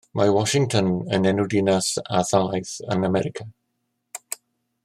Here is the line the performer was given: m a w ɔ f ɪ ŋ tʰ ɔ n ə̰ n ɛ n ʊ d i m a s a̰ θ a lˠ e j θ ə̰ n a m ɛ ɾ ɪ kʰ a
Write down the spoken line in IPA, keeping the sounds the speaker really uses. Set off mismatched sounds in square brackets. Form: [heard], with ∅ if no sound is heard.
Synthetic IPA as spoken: m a w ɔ [ʃ] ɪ ŋ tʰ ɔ n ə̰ n ɛ n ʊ d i [n] a s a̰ θ a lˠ [a] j θ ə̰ n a m ɛ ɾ ɪ kʰ a